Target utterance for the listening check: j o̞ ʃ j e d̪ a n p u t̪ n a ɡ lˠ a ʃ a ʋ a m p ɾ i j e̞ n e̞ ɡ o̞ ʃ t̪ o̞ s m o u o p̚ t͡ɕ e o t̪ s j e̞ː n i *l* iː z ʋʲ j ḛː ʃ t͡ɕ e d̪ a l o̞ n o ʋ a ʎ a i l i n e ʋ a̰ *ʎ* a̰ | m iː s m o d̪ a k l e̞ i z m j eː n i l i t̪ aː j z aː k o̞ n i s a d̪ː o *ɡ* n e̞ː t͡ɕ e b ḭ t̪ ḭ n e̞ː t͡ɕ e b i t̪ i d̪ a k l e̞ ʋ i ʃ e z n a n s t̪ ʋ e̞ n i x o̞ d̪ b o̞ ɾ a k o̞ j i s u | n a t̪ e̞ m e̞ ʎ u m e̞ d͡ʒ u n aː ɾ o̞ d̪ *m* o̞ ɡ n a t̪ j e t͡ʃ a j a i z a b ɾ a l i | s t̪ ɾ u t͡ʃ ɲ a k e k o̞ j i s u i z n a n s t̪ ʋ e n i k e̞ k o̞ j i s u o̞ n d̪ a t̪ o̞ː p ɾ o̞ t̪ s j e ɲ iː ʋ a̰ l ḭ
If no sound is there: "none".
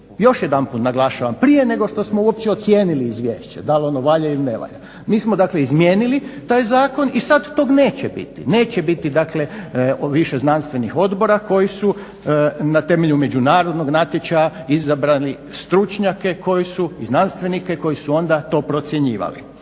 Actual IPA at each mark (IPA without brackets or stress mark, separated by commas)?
l, ʎ, ɡ, n